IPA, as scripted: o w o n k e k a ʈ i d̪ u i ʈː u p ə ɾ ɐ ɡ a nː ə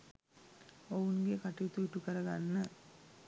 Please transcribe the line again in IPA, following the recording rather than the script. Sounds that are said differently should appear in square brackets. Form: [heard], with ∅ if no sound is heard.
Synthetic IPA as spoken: o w [u] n [ɡ] e k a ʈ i [t̪] u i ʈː u [k] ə ɾ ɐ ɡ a nː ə

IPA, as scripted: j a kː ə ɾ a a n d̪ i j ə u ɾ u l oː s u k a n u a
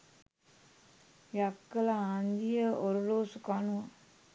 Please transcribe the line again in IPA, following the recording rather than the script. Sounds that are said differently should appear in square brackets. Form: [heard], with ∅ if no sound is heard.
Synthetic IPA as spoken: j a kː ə [l] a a n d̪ i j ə [o] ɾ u l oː s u k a n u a

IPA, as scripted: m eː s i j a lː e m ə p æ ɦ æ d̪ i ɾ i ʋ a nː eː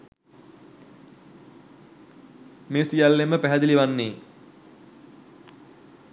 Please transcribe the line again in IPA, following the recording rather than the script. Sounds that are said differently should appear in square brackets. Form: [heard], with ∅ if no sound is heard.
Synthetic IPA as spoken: m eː s i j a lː e m ə p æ ɦ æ d̪ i [l] i ʋ a nː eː

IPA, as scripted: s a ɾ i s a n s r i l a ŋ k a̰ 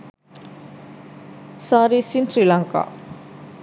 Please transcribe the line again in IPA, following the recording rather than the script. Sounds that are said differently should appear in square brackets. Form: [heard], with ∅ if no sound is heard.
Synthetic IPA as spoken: s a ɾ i s [i] n s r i l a ŋ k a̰

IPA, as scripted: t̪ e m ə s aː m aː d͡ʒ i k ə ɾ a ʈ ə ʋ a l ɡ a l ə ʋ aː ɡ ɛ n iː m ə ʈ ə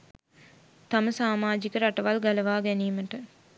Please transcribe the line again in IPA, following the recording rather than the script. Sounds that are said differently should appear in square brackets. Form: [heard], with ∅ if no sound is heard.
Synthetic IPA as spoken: t̪ [a] m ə s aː m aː d͡ʒ i k ə ɾ a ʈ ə ʋ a l ɡ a l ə ʋ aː ɡ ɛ n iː m ə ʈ ə

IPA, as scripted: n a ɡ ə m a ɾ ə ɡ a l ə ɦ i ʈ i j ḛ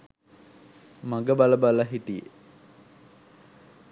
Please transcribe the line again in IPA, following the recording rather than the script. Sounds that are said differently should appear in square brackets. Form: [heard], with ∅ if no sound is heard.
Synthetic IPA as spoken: [m] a ɡ ə [b] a [l] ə [b] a l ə ɦ i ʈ i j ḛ

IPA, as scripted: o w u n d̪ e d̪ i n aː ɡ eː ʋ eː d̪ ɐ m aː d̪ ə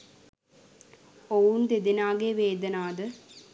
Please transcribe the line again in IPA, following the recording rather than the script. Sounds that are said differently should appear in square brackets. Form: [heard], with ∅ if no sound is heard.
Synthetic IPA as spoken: o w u n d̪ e d̪ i n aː ɡ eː ʋ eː d̪ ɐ [n] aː d̪ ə

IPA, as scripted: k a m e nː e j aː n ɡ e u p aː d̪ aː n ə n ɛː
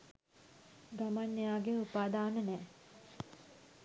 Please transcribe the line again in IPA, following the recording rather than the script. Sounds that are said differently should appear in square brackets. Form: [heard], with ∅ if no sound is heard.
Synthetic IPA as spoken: [ɡ] a m [a] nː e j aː [∅] ɡ e u p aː d̪ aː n ə n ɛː

